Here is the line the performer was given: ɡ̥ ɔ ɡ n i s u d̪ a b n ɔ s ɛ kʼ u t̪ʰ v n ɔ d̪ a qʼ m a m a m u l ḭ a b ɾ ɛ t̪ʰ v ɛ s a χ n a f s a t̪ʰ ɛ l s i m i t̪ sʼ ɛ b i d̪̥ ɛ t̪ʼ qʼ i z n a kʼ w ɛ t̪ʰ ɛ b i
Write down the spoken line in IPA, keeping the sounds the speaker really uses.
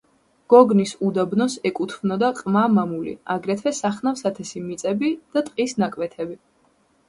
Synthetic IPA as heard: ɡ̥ ɔ ɡ n i s u d̪ a b n ɔ s ɛ kʼ u t̪ʰ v n ɔ d̪ a qʼ m a m a m u l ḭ a ɡ ɾ ɛ t̪ʰ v ɛ s a χ n a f s a t̪ʰ ɛ s i m i t̪ sʼ ɛ b i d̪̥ a t̪ʼ qʼ i s n a kʼ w ɛ t̪ʰ ɛ b i